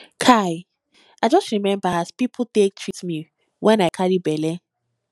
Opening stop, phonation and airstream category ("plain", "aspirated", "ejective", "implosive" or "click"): aspirated